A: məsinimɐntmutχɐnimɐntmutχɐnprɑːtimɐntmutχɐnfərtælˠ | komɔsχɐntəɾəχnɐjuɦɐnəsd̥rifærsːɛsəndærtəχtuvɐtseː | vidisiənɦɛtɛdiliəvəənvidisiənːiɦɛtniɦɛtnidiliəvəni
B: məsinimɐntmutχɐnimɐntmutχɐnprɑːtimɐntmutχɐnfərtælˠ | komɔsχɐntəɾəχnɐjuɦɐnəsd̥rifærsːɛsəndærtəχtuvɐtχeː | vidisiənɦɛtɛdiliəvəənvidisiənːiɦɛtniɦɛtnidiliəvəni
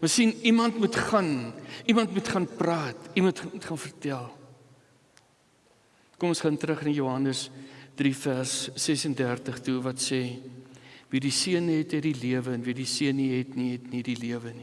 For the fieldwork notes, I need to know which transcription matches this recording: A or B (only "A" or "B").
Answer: A